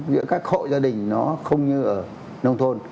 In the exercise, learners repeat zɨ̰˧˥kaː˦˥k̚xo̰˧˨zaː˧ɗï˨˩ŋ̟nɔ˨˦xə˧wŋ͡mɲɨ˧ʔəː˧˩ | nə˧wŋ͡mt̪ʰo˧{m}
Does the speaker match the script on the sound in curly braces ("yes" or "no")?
no